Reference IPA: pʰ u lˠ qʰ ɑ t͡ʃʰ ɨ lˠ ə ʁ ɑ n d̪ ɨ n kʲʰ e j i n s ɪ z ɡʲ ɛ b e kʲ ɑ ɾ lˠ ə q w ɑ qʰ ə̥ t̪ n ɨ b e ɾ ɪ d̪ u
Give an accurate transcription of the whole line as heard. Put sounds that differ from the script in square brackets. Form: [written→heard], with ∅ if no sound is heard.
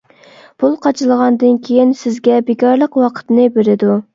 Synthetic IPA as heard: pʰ u lˠ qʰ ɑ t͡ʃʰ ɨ lˠ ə ʁ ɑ n d̪ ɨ n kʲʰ e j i n s ɪ z ɡʲ ɛ b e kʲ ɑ ɾ lˠ ə q w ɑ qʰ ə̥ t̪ n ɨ b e ɾ ɪ d̪ u